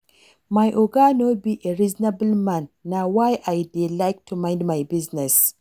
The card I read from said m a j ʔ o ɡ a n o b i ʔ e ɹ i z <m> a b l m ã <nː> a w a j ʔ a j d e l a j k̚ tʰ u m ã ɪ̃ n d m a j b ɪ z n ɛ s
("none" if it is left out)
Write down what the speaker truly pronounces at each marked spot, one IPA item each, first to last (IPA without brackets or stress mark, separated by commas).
n, nː